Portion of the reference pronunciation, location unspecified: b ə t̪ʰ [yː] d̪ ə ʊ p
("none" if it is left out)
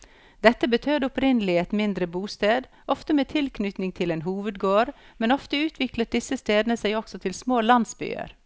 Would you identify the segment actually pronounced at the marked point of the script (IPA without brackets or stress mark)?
øː